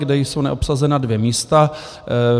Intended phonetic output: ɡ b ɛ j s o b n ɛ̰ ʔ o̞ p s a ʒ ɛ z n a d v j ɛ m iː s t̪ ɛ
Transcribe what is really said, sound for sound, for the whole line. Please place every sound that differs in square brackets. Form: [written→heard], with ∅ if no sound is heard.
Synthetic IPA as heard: ɡ [b→d] ɛ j s o [b→w] n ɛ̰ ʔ o̞ p s a [ʒ→z] ɛ [z→∅] n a d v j ɛ m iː s t̪ [ɛ→a]